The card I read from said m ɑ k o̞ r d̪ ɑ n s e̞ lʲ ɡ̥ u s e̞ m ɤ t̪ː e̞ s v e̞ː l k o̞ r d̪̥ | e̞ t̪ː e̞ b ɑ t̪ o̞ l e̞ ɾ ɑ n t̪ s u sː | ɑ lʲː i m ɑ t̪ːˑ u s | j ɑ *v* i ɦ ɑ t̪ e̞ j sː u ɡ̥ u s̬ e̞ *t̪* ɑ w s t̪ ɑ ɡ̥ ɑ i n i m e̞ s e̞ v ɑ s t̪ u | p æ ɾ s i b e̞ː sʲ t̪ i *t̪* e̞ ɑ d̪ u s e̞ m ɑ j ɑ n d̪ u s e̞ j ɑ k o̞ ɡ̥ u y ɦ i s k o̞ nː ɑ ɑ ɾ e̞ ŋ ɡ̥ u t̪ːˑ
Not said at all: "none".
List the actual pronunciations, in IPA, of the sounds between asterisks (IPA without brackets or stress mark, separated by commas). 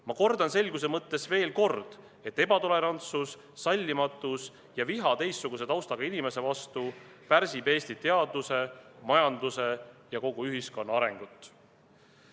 v, t̪, t̪